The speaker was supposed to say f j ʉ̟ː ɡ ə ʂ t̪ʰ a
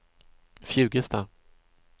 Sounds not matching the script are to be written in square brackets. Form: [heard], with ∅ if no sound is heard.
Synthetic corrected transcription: f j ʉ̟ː ɡ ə [s] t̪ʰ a